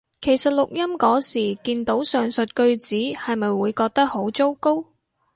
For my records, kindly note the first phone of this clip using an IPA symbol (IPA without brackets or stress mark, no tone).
kʰ